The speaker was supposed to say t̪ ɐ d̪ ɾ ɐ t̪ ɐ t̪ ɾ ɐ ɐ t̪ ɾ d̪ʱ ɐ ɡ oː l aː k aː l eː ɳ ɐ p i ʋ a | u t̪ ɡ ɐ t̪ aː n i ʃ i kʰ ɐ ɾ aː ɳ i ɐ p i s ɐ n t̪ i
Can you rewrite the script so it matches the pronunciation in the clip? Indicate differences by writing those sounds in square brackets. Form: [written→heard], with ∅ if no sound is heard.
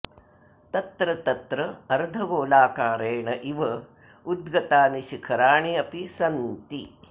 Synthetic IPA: t̪ ɐ [d̪→t̪] ɾ ɐ t̪ ɐ t̪ ɾ ɐ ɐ [t̪→∅] ɾ d̪ʱ ɐ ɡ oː l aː k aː [l→ɾ] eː ɳ ɐ [p→ʔ] i ʋ [a→ɐ] | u [t̪→d̪] ɡ ɐ t̪ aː n i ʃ i kʰ ɐ ɾ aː ɳ i ɐ p i s ɐ n t̪ i